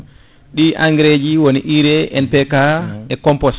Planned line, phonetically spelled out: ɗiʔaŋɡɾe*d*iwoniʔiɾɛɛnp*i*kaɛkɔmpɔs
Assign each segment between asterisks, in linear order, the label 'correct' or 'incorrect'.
incorrect: d͡ʒ, incorrect: ɛ

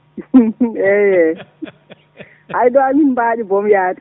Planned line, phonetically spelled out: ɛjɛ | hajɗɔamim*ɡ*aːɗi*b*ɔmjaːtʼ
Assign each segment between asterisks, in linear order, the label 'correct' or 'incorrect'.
incorrect: b, correct

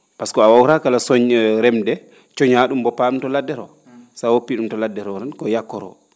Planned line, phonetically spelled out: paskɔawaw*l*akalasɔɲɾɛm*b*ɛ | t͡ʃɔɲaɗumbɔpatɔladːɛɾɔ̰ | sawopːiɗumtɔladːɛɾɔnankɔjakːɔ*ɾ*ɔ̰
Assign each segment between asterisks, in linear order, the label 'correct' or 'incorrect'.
incorrect: ɾ, incorrect: d, correct

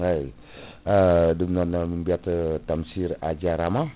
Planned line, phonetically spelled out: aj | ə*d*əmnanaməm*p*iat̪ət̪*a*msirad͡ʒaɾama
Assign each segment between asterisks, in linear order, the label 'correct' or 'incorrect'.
correct, incorrect: b, correct

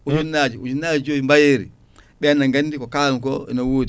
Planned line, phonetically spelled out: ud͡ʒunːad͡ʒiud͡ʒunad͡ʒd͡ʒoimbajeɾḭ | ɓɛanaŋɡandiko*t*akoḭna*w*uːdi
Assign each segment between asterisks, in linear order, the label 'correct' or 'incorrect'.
incorrect: k, correct

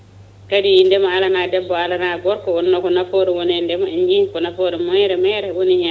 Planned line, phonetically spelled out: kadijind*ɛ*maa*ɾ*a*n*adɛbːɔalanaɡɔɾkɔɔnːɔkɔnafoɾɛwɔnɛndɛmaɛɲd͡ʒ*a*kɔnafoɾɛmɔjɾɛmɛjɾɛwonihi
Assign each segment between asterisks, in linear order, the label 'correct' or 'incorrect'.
correct, incorrect: l, correct, incorrect: i

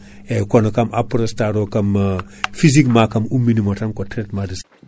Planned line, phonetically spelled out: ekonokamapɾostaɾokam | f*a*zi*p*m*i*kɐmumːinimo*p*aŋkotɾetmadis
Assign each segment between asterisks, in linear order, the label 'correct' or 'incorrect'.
incorrect: i, incorrect: k, incorrect: a, incorrect: t

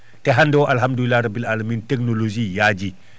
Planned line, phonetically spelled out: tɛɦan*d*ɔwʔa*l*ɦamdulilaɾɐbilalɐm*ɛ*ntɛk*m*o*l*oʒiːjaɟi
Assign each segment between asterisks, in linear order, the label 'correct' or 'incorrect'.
correct, correct, incorrect: i, incorrect: n, correct

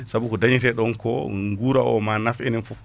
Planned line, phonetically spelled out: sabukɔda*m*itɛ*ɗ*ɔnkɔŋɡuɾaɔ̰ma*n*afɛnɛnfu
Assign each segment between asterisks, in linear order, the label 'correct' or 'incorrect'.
incorrect: ɲ, correct, correct

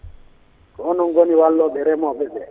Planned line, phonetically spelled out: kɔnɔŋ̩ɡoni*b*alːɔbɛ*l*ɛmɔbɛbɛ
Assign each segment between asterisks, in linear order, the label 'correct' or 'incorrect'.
incorrect: w, incorrect: ɾ

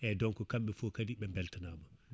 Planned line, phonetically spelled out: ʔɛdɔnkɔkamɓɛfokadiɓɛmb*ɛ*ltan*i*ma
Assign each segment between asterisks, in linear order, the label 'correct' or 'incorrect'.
correct, incorrect: a

